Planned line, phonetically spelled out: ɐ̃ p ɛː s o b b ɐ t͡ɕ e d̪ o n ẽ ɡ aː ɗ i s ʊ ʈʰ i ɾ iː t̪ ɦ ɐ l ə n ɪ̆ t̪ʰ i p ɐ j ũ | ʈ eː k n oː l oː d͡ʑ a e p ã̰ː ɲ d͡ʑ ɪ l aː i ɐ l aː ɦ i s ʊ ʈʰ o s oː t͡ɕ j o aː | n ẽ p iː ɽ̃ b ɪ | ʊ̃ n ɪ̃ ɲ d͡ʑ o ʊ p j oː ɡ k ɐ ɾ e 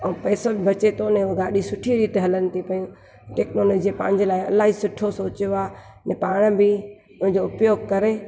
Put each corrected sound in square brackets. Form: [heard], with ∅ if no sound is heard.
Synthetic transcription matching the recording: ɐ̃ p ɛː s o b b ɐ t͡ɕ e [t̪] o n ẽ ɡ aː ɗ i s ʊ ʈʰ i ɾ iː t̪ ɦ ɐ l ə n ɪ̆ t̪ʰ i p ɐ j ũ | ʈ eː k n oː l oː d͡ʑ [i] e p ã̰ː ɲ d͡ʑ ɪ l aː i ɐ l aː ɦ i s ʊ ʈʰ o s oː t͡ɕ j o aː | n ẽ p [aː] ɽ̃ b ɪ | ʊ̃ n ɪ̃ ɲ d͡ʑ o ʊ p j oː ɡ k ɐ ɾ e